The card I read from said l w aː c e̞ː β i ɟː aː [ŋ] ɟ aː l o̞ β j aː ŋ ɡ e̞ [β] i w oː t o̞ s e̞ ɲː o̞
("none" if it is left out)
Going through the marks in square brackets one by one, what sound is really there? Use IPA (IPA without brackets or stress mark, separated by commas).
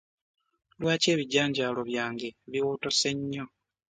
ɲ, β